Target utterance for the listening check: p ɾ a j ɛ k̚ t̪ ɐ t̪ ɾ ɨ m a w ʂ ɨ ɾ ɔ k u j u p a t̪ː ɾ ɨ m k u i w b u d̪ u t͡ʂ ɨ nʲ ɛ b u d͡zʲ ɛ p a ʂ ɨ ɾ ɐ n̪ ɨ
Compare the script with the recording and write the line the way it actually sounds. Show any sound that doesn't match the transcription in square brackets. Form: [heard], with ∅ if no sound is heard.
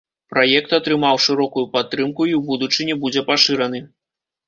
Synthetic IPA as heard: p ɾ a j ɛ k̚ t̪ ɐ t̪ ɾ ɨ m a w ʂ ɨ ɾ ɔ k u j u p a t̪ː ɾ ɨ m k u i w b u d̪ u t͡ʂ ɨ nʲ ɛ b u d͡zʲ ɛ p a ʂ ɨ ɾ ɐ n̪ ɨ